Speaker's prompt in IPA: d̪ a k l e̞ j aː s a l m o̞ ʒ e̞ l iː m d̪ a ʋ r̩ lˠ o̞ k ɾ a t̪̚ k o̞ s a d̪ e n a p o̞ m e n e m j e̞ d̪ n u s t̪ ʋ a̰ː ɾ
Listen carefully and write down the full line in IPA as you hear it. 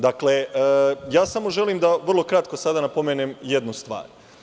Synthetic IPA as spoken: d̪ a k l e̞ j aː s a m o̞ ʒ e̞ l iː m d̪ a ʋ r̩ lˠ o̞ k ɾ a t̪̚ k o̞ s a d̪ a n a p o̞ m e n e m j e̞ d̪ n u s t̪ ʋ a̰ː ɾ